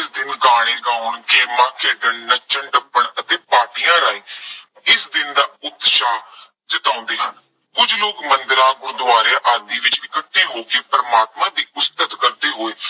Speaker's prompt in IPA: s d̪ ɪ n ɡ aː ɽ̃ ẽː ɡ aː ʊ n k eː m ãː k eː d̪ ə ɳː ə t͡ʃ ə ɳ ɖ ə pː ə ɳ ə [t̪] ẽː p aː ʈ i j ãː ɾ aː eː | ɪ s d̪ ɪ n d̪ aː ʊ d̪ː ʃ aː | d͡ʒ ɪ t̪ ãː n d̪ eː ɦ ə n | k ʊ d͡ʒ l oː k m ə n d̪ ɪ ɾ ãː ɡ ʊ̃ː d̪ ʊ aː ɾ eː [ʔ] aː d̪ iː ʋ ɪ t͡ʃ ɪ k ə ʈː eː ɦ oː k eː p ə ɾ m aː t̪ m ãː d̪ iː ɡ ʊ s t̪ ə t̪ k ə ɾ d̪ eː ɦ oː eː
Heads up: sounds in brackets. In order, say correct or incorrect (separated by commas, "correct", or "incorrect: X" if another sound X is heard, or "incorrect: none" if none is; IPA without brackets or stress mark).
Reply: correct, correct